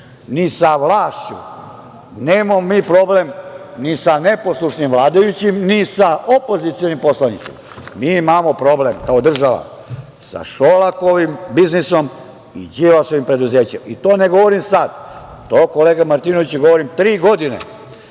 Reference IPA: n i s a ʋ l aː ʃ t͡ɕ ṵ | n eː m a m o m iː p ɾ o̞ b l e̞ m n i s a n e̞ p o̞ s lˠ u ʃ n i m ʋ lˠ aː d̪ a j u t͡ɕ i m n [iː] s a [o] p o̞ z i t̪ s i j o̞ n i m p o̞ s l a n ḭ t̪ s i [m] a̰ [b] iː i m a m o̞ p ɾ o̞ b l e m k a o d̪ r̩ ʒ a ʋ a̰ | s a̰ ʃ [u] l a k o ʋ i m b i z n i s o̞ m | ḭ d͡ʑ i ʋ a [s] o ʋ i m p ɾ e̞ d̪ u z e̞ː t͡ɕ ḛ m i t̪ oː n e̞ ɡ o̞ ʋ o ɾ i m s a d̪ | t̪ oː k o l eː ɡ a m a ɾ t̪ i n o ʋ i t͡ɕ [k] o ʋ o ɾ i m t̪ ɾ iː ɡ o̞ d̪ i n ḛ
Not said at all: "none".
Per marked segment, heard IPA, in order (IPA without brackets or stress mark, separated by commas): i, o, m, m, o, s, ɡ